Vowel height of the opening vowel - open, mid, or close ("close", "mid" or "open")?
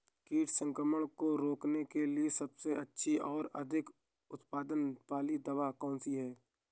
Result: close